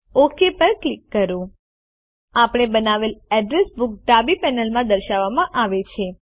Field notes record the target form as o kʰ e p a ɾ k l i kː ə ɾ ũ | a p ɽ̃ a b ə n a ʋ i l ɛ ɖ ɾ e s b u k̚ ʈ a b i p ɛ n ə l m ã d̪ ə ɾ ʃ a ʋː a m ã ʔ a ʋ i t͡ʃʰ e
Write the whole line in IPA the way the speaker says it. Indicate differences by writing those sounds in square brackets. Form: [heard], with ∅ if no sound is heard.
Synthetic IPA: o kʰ e p [ə] ɾ k l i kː ə ɾ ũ | a p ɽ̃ [e] b ə n a ʋ [e] l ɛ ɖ ɾ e s b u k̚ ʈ a b i p ɛ n ə l m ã d̪ ə ɾ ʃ a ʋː a m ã ʔ a ʋ [e] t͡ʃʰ e

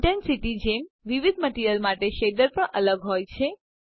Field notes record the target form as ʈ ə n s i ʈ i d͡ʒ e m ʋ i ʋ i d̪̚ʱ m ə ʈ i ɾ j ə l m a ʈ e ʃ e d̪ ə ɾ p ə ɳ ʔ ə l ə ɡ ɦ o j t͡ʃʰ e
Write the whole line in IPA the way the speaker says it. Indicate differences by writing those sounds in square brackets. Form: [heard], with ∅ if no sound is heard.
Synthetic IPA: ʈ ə n s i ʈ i d͡ʒ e m ʋ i ʋ i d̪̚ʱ m ə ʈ i ɾ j ə l m a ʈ e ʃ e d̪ ə ɾ p ə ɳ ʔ ə l ə ɡ ɦ o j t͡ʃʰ e

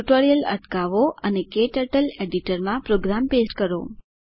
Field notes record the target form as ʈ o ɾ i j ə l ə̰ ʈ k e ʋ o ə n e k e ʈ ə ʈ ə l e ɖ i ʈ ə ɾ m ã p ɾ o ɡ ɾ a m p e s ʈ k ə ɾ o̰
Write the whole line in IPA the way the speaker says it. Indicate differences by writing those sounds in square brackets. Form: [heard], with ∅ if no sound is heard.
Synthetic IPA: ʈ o ɾ i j ə l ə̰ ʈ k [a] ʋ o ə n e k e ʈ ə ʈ ə l e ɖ i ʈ ə ɾ m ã p ɾ o ɡ ɾ a m p e s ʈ k ə ɾ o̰

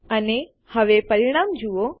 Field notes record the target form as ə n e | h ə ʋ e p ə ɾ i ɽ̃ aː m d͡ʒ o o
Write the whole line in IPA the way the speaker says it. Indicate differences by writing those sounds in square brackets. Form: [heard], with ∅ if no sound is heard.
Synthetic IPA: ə n e | h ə ʋ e p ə ɾ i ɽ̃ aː m d͡ʒ [u] o

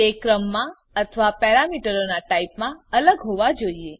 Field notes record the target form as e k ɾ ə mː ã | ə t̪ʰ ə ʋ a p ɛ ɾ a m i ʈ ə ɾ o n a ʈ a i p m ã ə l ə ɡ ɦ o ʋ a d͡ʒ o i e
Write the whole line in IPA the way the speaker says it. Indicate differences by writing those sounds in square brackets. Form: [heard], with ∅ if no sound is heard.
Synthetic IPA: e k ɾ ə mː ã | ə t̪ʰ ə ʋ a p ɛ ɾ a m i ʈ ə ɾ o n a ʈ a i p m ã ə l ə ɡ ɦ o ʋ a d͡ʒ o i e

